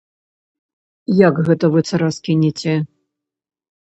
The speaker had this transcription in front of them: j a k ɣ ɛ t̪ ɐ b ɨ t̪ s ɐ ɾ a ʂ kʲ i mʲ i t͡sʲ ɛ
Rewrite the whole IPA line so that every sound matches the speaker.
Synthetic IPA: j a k ɣ ɛ t̪ ɐ v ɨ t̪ s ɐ ɾ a s kʲ i nʲ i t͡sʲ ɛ